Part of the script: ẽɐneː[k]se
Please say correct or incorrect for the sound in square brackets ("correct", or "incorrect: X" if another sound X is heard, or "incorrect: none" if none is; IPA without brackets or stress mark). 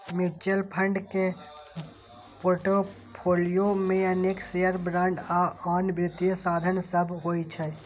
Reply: correct